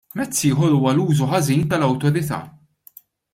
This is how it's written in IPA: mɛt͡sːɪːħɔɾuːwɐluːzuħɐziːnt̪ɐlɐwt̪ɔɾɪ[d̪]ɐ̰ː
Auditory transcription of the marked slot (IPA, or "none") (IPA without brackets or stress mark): t̪